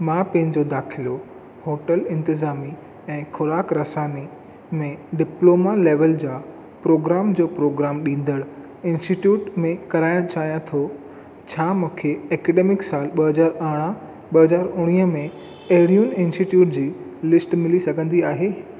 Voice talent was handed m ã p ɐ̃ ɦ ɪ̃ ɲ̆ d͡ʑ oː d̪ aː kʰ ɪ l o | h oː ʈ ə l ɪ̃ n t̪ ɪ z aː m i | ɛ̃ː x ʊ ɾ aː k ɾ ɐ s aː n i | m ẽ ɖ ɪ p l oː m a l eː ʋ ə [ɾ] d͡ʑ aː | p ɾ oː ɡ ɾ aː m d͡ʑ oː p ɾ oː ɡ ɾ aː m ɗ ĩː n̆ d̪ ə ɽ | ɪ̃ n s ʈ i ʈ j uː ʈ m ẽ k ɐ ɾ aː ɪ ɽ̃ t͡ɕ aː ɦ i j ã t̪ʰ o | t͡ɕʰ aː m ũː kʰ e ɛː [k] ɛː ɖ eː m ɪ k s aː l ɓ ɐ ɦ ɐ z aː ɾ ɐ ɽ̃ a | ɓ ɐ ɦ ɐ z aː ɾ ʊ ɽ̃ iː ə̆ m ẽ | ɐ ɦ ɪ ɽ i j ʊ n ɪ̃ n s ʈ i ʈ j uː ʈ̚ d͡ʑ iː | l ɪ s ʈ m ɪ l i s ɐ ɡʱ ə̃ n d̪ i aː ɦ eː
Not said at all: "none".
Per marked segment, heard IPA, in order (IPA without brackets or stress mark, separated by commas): l, k